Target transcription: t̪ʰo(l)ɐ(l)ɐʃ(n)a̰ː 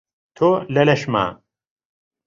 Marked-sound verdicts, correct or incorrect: correct, correct, incorrect: m

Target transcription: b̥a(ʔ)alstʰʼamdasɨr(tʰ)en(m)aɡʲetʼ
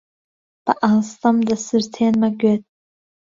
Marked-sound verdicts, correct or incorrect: correct, correct, correct

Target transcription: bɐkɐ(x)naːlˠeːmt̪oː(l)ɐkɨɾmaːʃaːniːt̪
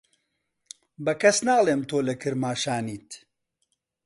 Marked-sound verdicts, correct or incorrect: incorrect: s, correct

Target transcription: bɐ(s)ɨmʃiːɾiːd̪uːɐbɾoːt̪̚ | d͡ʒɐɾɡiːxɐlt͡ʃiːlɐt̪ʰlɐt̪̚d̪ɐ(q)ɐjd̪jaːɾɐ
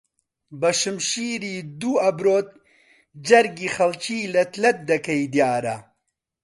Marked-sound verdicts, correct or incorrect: incorrect: ʃ, incorrect: k

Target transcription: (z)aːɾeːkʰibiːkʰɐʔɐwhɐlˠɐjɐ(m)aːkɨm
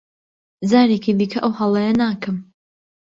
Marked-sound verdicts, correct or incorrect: correct, incorrect: n

